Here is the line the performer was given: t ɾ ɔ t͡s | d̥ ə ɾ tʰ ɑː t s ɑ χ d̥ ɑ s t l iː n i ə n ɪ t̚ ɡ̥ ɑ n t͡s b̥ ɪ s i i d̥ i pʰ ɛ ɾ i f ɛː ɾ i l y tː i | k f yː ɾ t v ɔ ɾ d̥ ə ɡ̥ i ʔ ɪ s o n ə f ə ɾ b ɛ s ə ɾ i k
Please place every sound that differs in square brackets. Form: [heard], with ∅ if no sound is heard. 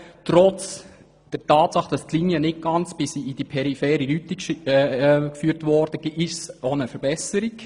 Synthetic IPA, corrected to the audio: t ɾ ɔ t͡s | d̥ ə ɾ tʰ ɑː t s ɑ χ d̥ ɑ s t l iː n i ə n ɪ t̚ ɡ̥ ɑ n t͡s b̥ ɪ s i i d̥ i pʰ ɛ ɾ i f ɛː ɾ i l y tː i | k f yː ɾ t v ɔ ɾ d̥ ə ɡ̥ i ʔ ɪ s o n ə f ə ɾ b ɛ s ə ɾ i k